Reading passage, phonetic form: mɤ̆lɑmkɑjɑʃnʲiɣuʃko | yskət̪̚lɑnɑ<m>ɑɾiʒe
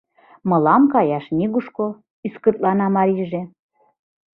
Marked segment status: correct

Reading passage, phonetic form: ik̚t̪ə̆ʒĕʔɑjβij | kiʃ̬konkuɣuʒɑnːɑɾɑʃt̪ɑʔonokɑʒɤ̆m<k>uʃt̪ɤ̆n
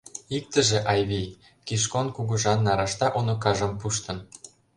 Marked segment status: incorrect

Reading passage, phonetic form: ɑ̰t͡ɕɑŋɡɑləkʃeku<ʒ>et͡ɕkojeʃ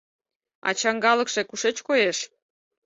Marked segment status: incorrect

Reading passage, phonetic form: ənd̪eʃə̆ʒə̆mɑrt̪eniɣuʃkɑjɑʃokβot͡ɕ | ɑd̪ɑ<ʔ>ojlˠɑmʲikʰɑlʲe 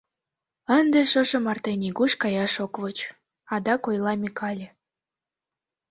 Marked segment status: incorrect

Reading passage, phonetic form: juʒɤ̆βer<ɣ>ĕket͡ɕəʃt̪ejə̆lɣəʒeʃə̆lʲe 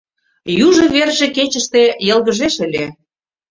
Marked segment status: incorrect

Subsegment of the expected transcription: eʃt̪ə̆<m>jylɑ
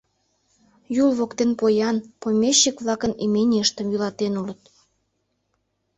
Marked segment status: correct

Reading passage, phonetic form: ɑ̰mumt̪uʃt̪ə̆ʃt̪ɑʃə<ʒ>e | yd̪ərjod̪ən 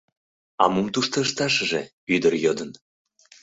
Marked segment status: correct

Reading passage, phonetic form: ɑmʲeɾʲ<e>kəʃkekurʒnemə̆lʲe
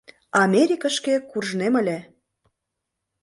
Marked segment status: incorrect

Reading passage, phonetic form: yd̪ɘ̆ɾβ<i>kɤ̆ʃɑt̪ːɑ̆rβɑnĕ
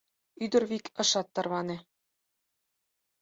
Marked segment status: correct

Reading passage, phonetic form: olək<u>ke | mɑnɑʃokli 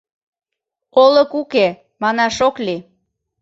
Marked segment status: correct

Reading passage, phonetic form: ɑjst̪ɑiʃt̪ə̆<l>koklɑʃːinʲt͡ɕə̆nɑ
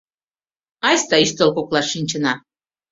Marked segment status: correct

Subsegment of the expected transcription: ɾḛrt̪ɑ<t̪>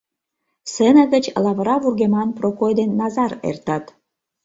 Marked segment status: correct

